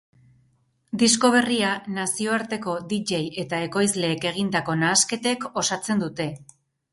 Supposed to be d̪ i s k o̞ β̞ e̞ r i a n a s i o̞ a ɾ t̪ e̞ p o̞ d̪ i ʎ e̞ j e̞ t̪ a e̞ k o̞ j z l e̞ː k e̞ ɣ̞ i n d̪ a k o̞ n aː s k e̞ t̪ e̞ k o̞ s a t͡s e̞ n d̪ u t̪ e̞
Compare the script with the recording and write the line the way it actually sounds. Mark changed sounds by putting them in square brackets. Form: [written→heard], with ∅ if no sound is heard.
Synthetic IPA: d̪ i s k o̞ β̞ e̞ r i a n a s i o̞ a ɾ t̪ e̞ [p→k] o̞ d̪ i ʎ e̞ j e̞ t̪ a e̞ k o̞ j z l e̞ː k e̞ ɣ̞ i n d̪ a k o̞ n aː s k e̞ t̪ e̞ k o̞ s a t͡s e̞ n d̪ u t̪ e̞